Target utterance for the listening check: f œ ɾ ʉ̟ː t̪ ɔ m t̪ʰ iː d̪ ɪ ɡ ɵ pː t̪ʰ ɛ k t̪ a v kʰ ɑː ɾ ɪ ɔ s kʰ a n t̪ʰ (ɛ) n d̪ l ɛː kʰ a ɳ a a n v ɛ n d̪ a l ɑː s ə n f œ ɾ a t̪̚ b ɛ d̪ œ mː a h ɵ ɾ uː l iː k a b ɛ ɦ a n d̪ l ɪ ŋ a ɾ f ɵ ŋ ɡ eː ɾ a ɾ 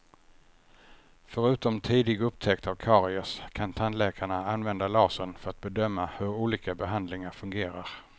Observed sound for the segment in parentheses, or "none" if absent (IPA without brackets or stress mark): a